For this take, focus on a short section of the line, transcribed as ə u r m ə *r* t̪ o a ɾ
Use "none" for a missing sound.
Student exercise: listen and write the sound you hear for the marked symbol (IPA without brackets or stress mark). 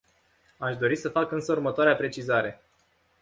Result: none